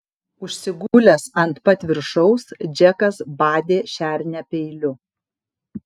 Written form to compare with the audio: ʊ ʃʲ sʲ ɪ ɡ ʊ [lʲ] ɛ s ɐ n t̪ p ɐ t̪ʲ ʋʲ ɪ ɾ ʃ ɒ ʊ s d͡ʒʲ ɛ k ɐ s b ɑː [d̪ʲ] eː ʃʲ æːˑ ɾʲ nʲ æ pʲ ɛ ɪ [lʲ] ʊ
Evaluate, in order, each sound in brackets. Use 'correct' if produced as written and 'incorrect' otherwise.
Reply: correct, correct, correct

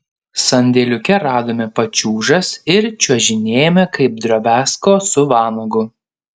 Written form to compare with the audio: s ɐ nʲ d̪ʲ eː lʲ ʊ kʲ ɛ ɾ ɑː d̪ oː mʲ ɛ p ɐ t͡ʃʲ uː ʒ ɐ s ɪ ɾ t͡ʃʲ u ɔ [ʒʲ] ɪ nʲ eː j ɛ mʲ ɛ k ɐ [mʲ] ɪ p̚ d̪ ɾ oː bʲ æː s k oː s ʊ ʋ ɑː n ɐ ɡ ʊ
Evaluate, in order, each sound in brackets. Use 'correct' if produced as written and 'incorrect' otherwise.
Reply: correct, incorrect

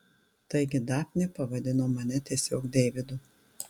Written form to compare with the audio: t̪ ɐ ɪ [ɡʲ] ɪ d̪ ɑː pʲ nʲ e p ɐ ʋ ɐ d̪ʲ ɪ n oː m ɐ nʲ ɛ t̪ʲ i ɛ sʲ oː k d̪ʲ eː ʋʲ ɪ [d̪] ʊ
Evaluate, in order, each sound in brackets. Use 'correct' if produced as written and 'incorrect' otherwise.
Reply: correct, correct

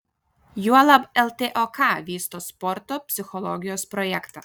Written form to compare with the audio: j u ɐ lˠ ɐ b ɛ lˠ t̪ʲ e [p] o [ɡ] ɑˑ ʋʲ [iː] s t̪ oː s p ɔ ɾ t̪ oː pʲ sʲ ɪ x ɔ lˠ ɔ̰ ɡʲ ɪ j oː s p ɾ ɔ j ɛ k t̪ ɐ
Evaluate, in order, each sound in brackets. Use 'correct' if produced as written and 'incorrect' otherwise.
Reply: incorrect, incorrect, correct

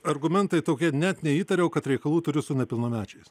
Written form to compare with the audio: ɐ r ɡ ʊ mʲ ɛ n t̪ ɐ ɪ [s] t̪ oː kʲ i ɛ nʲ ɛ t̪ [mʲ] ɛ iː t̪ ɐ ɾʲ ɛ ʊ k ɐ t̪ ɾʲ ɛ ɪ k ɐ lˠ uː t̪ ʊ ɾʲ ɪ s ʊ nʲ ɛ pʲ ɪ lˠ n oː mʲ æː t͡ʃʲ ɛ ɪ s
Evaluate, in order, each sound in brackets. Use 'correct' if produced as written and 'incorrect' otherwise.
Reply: incorrect, incorrect

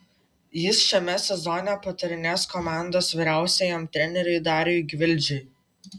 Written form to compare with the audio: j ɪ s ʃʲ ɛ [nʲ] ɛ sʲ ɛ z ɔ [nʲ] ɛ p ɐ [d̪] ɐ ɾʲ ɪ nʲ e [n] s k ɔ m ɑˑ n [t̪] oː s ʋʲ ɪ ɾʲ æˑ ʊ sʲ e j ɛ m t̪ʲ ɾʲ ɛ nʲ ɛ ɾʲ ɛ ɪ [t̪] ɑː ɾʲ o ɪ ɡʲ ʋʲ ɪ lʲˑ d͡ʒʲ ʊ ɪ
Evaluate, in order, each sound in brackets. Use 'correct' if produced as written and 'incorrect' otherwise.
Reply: incorrect, correct, incorrect, incorrect, incorrect, incorrect

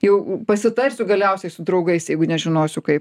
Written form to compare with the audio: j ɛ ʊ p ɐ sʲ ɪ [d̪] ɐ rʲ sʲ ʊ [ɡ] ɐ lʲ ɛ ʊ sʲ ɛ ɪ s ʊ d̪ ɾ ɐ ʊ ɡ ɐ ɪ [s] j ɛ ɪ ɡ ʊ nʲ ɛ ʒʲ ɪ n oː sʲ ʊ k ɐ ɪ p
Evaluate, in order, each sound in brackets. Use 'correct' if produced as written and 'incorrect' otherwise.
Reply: incorrect, correct, correct

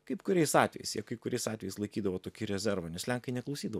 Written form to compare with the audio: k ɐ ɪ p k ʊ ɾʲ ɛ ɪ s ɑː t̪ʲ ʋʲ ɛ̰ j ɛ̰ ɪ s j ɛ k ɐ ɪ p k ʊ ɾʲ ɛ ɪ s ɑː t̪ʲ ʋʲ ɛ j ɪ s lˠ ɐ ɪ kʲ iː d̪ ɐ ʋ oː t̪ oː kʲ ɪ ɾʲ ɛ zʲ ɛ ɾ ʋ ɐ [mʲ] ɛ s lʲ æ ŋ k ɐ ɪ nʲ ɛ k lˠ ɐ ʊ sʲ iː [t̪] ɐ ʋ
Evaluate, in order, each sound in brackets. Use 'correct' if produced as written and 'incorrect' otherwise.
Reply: incorrect, incorrect

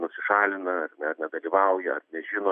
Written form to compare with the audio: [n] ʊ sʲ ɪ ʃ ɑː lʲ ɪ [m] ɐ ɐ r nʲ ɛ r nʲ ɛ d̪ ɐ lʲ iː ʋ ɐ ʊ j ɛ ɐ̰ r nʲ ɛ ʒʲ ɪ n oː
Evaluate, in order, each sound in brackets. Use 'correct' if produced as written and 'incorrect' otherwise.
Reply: correct, incorrect

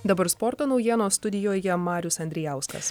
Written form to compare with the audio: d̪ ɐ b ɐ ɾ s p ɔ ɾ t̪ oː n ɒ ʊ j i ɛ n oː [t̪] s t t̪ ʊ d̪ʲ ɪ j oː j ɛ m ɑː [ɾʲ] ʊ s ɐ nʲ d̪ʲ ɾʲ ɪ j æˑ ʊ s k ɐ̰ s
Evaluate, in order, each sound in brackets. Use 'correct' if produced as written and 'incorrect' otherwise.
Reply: incorrect, correct

